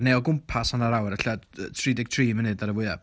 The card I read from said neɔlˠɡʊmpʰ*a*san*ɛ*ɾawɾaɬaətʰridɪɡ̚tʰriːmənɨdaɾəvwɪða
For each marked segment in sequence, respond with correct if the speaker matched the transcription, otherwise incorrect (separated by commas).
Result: correct, incorrect